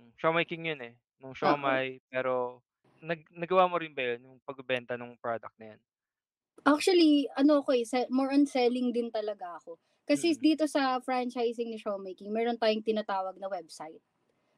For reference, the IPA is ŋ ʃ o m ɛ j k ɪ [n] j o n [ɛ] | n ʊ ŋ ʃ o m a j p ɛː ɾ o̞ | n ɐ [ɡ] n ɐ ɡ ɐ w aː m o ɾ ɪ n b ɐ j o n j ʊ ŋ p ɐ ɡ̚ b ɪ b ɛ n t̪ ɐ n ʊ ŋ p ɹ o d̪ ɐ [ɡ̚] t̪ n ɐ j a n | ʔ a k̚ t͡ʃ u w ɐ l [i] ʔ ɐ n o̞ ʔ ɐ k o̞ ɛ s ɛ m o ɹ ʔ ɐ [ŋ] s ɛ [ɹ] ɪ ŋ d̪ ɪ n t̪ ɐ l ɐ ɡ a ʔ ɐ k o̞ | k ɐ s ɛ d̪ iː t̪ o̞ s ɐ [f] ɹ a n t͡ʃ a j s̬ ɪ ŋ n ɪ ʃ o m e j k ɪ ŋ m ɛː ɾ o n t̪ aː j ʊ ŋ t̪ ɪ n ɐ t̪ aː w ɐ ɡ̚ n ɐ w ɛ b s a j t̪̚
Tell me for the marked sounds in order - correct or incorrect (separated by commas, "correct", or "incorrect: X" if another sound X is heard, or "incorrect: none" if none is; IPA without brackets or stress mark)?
incorrect: ŋ, correct, correct, incorrect: k̚, correct, incorrect: n, incorrect: l, correct